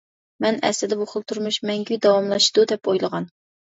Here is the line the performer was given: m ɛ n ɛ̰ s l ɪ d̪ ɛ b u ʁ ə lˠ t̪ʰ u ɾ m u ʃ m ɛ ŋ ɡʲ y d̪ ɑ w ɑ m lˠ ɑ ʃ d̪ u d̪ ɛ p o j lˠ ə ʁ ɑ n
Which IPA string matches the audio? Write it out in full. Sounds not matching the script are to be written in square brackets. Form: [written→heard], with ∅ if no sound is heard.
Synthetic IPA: m ɛ n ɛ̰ s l ɪ d̪ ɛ b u [ʁ→χ] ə lˠ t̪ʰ u ɾ m u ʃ m ɛ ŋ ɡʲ y d̪ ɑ w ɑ m lˠ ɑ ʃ d̪ u d̪ ɛ p o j lˠ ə ʁ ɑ n